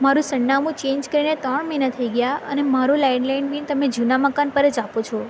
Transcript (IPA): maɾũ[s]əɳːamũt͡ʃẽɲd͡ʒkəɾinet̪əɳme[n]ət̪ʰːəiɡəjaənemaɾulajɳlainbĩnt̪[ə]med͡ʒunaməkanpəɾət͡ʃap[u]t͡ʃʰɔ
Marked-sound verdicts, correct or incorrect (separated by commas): correct, correct, correct, incorrect